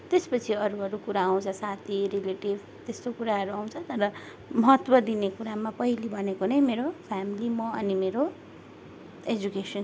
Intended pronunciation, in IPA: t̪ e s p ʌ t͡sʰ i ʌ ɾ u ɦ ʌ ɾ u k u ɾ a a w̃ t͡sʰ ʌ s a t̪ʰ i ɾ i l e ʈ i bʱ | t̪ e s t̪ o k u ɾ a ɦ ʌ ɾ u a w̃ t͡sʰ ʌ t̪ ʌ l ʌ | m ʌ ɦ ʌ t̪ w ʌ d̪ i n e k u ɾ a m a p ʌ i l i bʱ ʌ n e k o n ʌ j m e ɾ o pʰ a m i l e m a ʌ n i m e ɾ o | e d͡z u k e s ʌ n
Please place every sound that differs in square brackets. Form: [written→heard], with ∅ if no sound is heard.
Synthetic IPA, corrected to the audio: t̪ e s p ʌ t͡sʰ i ʌ ɾ u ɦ ʌ ɾ u k u ɾ a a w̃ t͡sʰ ʌ s a t̪ʰ i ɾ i l e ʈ i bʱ | t̪ e s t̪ o k u ɾ a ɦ ʌ ɾ u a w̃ t͡sʰ ʌ t̪ ʌ [l→ɾ] ʌ | m ʌ ɦ ʌ t̪ w ʌ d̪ i n e k u ɾ a m a p ʌ i l i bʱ ʌ n e k o n ʌ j m e ɾ o pʰ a m i l [e→i] m [a→ʌ] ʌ n i m e ɾ o | e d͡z u k e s ʌ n